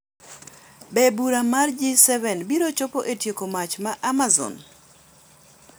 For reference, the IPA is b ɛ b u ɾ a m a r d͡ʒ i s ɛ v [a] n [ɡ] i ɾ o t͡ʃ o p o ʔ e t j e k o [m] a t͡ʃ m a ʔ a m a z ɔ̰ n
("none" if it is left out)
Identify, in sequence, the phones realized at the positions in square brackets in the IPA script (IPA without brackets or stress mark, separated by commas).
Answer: ɛ, b, m